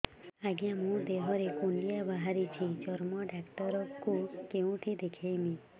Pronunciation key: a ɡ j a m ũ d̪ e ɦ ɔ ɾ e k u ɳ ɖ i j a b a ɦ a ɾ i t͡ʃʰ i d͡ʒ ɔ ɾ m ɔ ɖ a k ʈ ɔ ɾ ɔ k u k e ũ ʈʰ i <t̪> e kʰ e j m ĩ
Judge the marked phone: incorrect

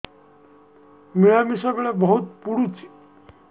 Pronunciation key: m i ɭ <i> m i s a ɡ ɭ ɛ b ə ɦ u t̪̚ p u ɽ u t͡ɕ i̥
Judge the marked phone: incorrect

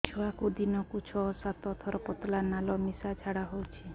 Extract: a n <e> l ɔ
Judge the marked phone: incorrect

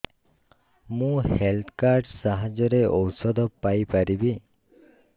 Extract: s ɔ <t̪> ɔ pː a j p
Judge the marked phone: incorrect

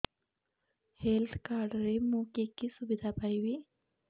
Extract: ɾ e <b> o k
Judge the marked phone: incorrect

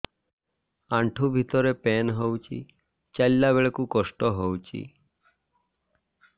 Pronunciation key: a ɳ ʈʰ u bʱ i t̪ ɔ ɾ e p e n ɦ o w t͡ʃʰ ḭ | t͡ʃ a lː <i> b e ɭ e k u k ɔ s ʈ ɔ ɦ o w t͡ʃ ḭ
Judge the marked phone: incorrect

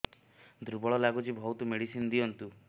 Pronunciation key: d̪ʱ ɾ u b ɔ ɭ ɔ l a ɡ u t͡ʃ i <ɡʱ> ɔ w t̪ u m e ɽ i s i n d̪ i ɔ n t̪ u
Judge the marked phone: incorrect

